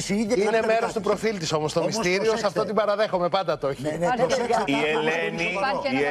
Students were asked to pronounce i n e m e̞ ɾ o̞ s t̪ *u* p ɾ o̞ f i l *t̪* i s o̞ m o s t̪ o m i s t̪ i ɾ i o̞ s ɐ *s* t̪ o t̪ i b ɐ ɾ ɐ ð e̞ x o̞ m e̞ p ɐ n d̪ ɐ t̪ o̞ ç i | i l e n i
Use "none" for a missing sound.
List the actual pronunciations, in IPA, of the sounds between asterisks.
u, t̪, f

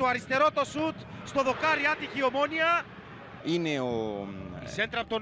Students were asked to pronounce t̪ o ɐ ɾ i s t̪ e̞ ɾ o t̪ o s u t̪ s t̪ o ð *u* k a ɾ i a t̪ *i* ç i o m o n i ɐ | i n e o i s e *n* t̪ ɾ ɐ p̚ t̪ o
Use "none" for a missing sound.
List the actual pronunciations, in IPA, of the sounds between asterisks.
o, i, n

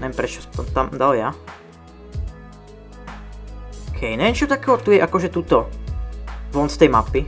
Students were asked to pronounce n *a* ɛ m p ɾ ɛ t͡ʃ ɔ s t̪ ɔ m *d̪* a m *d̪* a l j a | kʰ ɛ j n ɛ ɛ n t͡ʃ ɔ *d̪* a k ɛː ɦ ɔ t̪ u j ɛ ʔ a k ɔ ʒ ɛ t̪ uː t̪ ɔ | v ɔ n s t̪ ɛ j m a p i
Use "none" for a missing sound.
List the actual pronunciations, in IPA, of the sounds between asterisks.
ɛ, t̪, d̪, t̪

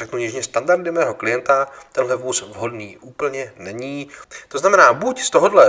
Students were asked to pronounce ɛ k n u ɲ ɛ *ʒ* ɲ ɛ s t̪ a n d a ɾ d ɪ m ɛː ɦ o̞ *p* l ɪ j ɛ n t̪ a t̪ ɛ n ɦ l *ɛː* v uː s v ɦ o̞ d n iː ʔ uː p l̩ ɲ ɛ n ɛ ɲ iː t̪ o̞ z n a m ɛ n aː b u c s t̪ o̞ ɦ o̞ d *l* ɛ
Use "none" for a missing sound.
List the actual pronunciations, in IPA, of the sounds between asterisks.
ʒ, k, ɛ, l

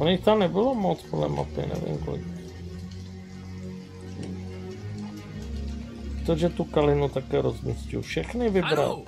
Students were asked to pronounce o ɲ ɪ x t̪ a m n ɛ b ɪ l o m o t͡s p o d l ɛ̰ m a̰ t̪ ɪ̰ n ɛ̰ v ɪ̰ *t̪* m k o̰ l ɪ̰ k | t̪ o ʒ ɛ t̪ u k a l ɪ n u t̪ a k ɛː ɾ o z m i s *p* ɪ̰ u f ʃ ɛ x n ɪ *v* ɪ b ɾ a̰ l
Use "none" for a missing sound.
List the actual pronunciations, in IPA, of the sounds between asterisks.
none, c, v

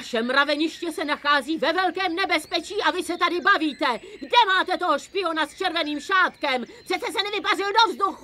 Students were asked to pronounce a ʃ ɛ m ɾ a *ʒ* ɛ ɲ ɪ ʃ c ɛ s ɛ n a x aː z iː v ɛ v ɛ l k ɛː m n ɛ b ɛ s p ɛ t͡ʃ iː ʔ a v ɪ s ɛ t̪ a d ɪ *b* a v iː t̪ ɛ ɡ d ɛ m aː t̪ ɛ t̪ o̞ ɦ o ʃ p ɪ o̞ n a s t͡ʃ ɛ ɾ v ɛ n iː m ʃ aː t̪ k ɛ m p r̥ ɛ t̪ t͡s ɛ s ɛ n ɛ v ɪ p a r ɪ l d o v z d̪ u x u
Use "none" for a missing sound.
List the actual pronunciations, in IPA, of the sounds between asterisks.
v, b

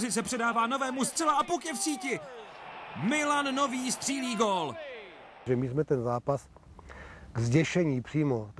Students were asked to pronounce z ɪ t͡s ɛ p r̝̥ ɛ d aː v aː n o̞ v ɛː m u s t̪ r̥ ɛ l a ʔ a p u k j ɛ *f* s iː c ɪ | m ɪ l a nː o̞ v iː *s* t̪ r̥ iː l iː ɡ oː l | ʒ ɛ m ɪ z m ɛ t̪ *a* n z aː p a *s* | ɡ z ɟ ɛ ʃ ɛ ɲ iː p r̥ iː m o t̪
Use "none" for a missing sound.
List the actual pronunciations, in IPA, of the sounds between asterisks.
f, s, ɛ, s

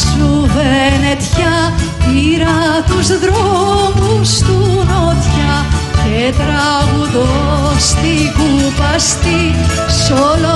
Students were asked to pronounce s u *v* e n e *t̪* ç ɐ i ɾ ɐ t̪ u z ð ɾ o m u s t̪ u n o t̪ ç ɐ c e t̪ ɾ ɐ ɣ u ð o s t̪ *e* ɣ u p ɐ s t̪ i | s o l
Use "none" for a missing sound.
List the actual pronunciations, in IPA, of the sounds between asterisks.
v, t̪, i

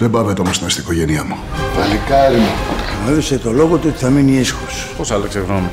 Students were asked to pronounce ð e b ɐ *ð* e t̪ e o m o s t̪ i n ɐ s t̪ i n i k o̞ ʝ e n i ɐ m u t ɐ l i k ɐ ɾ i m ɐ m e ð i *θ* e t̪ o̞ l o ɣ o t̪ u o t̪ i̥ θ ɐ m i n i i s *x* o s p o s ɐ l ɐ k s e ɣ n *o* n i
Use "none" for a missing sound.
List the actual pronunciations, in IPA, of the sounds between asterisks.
v, s, x, o

